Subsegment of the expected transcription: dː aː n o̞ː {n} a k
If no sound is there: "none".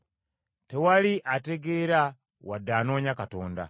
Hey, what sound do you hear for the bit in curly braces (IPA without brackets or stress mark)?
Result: ɲ